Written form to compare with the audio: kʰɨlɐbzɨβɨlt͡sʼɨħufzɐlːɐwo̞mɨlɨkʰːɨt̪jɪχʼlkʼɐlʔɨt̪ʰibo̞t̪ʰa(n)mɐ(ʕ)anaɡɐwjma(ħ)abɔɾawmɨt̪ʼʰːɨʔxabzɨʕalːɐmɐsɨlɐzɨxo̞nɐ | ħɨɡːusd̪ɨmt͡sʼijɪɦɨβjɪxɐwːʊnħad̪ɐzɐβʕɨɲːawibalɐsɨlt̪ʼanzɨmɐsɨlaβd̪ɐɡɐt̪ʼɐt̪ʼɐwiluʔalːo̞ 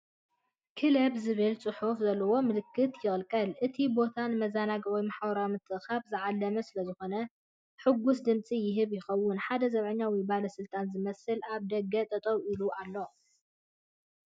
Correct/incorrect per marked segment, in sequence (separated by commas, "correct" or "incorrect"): correct, incorrect, correct